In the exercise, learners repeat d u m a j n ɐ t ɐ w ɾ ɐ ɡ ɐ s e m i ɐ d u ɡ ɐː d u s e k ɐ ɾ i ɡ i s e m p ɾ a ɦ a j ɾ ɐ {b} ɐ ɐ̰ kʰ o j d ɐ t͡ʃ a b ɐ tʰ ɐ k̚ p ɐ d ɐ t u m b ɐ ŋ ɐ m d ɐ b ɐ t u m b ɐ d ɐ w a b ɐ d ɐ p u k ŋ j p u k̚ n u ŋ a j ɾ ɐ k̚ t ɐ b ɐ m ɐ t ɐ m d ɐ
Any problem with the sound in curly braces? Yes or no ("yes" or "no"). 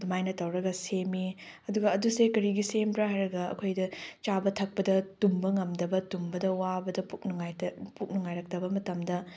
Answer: yes